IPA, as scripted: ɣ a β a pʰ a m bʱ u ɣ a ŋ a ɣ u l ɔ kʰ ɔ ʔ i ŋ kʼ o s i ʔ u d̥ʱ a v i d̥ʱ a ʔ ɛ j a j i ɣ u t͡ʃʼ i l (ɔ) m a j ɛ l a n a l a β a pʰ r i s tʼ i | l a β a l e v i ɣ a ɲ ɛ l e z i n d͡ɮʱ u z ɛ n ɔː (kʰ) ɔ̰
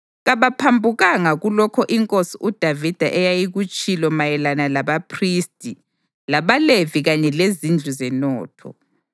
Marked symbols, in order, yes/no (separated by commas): yes, no